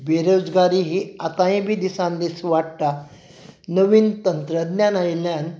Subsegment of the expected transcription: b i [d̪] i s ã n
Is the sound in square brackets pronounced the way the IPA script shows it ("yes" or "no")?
yes